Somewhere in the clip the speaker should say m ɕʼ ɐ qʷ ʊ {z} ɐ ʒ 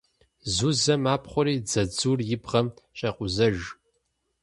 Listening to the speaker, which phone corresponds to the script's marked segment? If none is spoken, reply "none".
z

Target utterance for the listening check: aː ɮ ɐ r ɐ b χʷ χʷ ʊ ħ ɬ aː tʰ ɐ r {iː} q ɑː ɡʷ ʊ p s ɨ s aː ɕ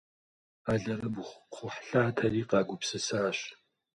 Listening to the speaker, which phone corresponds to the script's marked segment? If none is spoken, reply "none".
iː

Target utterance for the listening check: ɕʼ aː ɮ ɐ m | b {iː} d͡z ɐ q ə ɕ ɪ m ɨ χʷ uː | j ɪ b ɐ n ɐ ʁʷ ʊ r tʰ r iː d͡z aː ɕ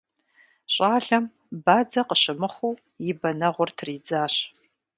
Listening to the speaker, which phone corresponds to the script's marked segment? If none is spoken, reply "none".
aː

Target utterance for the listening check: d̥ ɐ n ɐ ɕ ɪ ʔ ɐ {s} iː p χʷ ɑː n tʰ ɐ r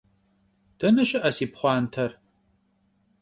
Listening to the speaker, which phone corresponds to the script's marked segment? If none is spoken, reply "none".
s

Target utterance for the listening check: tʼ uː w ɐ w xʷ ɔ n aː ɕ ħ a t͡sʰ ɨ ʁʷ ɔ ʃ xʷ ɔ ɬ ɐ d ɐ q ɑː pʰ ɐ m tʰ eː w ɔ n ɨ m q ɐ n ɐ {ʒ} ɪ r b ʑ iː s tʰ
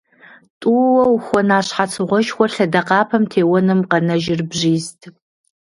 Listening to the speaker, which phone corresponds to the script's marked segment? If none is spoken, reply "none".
ʒ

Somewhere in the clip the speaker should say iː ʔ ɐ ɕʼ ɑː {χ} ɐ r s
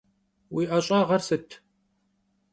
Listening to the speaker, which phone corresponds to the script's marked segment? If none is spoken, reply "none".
ʁ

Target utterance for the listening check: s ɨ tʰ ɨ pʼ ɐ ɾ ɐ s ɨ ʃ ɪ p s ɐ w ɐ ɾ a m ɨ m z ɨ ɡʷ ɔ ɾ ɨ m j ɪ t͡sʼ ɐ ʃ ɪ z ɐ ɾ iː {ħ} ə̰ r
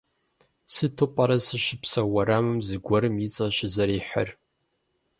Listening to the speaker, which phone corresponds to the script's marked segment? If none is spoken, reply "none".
ħ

